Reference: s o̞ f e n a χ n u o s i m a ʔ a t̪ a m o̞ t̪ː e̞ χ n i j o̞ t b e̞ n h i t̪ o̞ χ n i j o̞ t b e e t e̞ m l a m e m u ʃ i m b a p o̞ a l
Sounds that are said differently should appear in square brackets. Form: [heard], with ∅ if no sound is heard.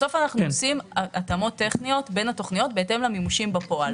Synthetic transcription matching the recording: s o̞ f [a] n a χ n u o s i m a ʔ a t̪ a m o̞ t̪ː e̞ χ n i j o̞ t b e̞ n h [a] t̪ o̞ χ n i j o̞ t b e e t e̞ m l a m [i] m u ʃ i m b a p o̞ a l